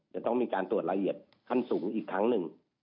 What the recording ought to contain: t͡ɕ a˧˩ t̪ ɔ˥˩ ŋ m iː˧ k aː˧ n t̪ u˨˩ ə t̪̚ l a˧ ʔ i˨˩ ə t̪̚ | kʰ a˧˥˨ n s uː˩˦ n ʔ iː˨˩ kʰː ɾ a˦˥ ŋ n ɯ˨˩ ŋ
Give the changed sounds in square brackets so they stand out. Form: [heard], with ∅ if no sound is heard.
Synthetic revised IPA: t͡ɕ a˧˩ t̪ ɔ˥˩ ŋ m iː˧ k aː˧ n t̪ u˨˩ ə t̪̚ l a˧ ʔ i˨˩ ə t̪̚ | kʰ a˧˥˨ n s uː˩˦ [ŋ] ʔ iː˨˩ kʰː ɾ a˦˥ ŋ n ɯ˨˩ ŋ